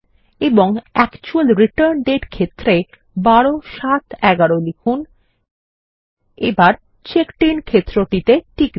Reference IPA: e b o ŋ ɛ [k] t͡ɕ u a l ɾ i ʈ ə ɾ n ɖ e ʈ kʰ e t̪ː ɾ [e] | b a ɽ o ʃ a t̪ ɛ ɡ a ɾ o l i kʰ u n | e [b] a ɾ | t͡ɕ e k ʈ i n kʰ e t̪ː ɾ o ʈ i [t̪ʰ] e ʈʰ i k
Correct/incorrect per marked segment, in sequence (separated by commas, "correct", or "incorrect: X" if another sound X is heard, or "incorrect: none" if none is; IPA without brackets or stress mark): correct, correct, correct, incorrect: t̪